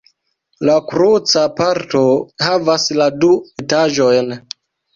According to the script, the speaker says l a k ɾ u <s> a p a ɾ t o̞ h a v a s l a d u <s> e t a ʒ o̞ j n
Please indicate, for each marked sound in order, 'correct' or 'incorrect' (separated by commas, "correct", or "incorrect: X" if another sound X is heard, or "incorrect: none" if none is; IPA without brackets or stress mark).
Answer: incorrect: t͡s, incorrect: none